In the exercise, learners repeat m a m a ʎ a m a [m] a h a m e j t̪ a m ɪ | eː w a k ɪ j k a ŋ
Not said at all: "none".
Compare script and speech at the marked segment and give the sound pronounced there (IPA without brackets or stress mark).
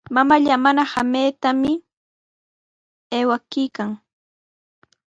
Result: n